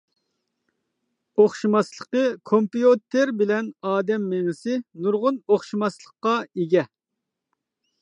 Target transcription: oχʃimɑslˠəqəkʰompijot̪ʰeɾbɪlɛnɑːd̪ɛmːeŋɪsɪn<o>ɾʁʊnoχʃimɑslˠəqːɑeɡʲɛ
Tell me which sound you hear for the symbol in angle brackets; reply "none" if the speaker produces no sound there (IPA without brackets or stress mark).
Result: u